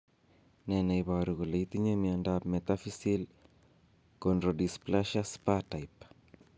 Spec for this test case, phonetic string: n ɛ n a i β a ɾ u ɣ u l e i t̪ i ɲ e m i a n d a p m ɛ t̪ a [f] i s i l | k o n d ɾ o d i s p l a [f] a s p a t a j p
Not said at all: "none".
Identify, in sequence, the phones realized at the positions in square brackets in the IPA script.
f, ʃ

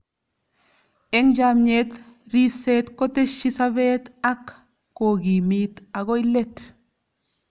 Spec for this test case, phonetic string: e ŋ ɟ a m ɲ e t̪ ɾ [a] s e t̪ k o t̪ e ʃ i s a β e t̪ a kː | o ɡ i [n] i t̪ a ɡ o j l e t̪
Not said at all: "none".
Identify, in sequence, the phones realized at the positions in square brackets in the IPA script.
i, m

